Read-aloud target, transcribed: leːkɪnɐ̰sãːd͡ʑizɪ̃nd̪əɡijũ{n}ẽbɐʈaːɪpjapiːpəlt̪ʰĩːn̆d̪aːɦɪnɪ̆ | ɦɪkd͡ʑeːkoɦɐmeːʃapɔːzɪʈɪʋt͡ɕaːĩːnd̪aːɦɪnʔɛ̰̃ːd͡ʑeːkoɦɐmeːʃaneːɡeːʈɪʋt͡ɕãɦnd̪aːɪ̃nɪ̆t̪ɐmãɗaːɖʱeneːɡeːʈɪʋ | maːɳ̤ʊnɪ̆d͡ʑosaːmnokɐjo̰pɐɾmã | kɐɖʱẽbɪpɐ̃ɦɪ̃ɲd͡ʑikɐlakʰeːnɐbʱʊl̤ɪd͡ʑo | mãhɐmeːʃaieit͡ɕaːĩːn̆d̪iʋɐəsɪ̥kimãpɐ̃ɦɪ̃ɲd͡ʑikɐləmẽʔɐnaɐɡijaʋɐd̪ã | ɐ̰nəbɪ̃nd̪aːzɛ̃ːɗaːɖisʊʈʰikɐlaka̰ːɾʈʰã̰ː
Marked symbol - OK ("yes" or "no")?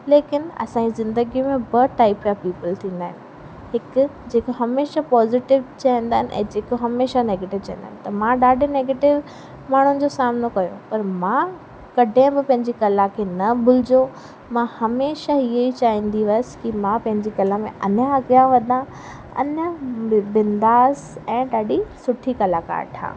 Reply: no